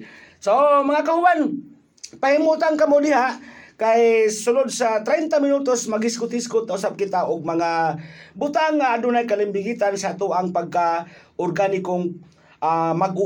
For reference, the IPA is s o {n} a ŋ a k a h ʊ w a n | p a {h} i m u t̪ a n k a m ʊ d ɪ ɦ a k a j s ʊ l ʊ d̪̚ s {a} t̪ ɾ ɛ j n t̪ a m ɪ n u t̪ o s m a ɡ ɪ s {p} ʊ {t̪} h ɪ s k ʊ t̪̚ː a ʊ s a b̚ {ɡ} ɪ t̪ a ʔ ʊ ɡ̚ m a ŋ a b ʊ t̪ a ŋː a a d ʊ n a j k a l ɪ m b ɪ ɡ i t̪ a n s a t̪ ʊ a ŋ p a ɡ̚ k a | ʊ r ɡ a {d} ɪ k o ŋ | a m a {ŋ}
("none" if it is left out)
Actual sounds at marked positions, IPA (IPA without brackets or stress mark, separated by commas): m, h, a, k, t̪, k, n, ɡ